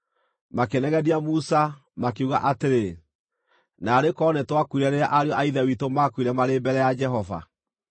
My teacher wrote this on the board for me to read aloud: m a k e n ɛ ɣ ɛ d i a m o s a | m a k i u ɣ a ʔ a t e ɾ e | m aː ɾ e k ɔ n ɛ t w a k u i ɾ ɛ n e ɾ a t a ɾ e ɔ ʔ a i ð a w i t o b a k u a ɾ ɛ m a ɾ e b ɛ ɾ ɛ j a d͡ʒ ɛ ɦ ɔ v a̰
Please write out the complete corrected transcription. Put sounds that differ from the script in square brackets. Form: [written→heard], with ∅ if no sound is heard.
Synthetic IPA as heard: m a k e n ɛ ɣ ɛ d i a m [o→u] s a | m a k [i→e] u ɣ a ʔ a t e ɾ e | [m→n] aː ɾ e k ɔ n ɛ t w a k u i ɾ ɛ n e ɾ a [t→ʔ] a ɾ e ɔ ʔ a i ð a w i t o [b→m] a k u [a→i] ɾ ɛ m a ɾ e b ɛ ɾ ɛ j a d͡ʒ ɛ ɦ ɔ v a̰